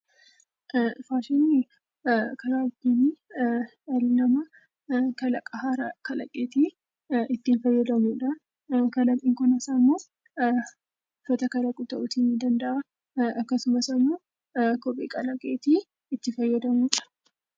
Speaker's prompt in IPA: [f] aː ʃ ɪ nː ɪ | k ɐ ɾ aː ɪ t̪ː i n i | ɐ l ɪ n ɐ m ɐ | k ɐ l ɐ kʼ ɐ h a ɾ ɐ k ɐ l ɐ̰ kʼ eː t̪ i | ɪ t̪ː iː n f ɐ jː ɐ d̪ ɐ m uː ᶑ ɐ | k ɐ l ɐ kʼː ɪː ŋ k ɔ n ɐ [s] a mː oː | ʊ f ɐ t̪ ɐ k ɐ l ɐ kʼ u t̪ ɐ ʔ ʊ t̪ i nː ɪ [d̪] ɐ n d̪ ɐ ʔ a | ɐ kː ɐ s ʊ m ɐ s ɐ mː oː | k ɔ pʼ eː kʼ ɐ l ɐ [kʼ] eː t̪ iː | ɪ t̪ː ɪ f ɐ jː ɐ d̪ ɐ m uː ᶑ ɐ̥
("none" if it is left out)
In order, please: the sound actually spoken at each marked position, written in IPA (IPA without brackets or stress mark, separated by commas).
f, s, d̪, kʼ